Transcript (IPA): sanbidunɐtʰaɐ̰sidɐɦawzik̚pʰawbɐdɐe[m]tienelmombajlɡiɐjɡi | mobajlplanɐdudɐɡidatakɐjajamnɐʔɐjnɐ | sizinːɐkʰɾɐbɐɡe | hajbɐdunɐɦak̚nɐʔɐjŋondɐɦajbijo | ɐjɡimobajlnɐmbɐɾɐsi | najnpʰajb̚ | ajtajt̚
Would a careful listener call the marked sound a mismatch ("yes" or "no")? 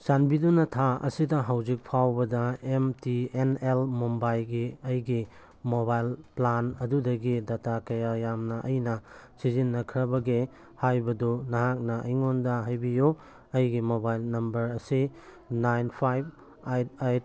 no